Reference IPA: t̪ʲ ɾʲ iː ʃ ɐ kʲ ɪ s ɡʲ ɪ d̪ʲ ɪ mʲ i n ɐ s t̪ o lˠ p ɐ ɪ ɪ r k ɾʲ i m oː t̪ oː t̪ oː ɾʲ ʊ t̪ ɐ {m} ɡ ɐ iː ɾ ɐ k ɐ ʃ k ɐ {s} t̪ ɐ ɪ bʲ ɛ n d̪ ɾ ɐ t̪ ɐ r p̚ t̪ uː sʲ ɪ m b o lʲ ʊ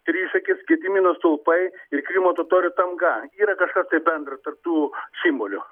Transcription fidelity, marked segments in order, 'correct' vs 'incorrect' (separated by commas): correct, correct